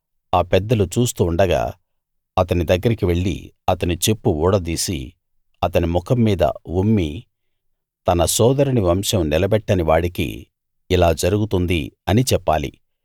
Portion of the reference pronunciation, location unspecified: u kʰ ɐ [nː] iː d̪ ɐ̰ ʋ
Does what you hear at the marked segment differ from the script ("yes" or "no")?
yes